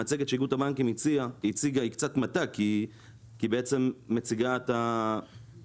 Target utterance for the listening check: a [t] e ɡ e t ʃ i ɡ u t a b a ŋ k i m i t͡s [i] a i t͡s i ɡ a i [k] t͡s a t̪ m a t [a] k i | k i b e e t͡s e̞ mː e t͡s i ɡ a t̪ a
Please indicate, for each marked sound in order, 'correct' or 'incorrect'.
incorrect: t͡s, correct, correct, correct

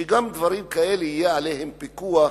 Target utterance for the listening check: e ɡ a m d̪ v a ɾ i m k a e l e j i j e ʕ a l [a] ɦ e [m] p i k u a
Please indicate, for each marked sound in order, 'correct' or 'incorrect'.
incorrect: e, correct

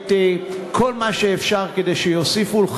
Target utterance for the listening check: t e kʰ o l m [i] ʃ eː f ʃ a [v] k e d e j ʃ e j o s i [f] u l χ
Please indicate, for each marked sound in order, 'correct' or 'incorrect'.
incorrect: a, incorrect: ʁ, correct

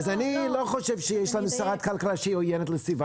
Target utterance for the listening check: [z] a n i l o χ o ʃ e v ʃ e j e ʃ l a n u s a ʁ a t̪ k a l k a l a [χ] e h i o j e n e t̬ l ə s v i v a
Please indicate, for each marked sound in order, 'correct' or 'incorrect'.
correct, incorrect: ʃ

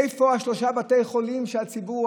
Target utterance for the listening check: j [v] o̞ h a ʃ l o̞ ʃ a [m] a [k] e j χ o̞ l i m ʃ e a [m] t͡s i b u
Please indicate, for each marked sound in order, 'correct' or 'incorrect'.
incorrect: f, incorrect: b, incorrect: t, incorrect: none

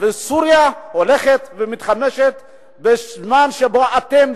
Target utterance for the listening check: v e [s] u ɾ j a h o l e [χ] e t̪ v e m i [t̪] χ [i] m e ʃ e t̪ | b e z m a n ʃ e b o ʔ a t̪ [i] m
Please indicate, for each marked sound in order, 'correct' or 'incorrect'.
correct, correct, correct, incorrect: a, incorrect: e

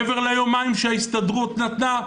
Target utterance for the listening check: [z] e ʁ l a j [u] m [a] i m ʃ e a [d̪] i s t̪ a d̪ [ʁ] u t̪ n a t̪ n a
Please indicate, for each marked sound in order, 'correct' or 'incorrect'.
incorrect: v, incorrect: o, correct, incorrect: none, correct

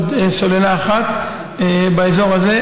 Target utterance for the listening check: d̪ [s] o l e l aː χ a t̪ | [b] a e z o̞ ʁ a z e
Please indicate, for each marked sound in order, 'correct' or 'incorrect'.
correct, correct

